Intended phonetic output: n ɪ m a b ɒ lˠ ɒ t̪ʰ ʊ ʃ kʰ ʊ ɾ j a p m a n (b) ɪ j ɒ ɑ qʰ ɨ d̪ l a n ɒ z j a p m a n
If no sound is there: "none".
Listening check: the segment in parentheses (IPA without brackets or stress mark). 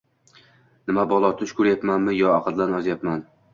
m